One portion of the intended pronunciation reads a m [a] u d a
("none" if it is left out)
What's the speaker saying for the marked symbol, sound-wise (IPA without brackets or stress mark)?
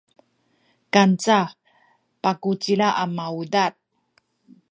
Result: a